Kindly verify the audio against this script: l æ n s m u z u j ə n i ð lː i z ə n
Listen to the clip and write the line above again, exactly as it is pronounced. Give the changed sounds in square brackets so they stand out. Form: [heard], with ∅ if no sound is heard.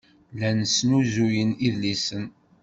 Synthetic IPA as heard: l æ n s [n] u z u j ə n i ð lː i [s] ə n